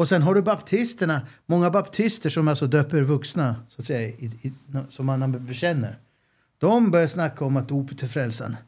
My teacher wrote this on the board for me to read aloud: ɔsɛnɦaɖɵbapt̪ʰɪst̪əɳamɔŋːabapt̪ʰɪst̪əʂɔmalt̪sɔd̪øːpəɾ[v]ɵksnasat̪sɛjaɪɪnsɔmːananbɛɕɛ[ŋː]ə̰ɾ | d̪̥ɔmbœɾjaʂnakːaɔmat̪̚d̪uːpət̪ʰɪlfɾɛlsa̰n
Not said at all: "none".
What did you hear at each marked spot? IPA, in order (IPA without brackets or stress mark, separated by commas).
v, nː